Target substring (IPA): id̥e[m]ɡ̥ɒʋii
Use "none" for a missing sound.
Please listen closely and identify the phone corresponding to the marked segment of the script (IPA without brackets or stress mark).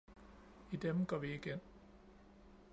m